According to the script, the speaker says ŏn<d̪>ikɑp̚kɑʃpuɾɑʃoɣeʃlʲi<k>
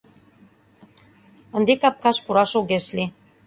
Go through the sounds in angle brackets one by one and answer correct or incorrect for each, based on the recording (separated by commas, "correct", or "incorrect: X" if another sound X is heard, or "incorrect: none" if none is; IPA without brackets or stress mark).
correct, incorrect: none